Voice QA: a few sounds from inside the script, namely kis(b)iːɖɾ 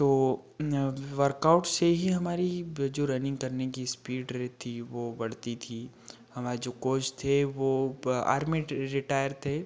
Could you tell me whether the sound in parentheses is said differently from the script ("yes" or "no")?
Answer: yes